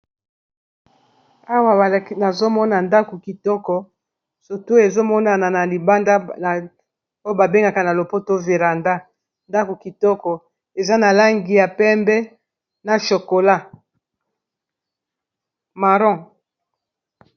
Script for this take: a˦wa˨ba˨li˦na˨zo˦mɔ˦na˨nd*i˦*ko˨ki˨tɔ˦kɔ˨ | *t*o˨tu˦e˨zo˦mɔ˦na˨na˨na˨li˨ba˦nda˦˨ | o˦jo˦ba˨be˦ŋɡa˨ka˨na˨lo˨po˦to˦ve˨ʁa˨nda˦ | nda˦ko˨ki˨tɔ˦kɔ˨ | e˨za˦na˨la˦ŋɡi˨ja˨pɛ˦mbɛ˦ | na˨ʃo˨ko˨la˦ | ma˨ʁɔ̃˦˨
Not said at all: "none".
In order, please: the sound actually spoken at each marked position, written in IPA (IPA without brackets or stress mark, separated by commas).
a˦, s